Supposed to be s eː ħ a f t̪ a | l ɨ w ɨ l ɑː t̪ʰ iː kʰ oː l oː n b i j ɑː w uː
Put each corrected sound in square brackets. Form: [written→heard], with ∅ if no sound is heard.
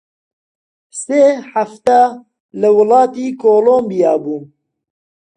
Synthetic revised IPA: s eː ħ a f t̪ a | l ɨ w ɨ l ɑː [t̪ʰ→t̪] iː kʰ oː l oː [n→m] b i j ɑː [w→b] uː